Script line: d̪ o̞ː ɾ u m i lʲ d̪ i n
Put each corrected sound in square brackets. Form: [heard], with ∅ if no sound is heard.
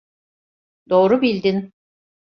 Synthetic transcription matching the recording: d̪ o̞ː ɾ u [b] i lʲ d̪ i n